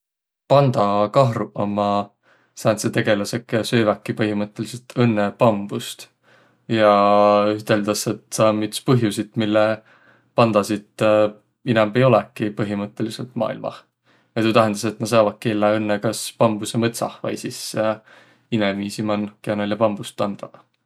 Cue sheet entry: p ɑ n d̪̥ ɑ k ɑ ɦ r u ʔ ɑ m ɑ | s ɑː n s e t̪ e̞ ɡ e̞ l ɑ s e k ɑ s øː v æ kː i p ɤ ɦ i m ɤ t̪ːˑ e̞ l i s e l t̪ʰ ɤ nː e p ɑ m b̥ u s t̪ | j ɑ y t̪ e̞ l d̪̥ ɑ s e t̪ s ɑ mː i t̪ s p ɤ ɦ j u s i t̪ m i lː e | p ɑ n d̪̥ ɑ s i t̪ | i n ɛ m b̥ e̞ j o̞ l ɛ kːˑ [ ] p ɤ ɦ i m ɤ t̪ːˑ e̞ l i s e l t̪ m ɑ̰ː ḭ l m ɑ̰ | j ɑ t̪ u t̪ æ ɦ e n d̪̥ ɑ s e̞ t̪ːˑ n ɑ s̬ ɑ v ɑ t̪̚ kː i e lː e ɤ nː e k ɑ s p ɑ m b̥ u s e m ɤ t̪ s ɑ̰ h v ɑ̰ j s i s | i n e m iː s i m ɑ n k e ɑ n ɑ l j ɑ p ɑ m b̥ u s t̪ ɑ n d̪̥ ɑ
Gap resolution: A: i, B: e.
A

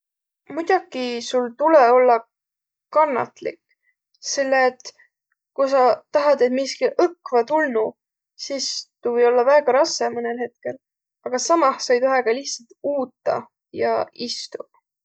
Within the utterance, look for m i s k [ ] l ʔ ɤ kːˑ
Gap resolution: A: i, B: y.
A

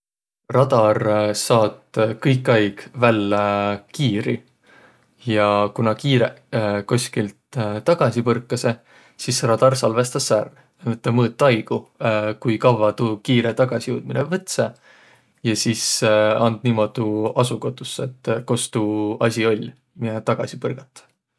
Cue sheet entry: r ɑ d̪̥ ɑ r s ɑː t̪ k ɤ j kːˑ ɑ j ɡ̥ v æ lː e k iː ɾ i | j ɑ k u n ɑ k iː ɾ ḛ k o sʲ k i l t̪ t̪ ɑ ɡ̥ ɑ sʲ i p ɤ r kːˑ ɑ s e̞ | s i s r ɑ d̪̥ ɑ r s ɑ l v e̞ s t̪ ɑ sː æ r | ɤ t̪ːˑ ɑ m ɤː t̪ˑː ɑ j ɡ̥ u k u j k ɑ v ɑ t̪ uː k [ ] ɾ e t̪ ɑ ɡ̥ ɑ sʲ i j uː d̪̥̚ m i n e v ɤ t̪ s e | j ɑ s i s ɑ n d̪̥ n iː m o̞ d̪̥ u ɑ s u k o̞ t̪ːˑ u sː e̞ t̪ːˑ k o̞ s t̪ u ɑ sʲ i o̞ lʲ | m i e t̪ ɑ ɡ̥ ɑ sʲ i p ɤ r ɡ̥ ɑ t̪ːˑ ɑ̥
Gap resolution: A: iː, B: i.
A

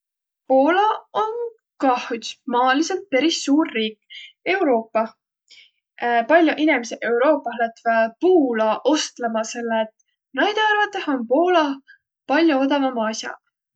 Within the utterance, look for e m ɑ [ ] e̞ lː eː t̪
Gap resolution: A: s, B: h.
A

